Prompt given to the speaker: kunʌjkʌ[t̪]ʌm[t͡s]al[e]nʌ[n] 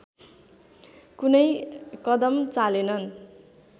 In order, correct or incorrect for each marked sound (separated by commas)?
incorrect, correct, correct, correct